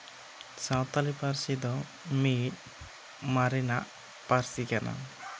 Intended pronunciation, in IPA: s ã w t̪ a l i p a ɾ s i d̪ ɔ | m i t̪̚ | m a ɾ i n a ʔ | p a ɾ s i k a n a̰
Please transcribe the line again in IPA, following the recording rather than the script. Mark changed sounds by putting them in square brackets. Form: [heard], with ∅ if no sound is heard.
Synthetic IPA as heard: s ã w t̪ a l i p a ɾ s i d̪ ɔ | m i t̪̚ | m a ɾ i n a ʔ | p a ɾ s i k a n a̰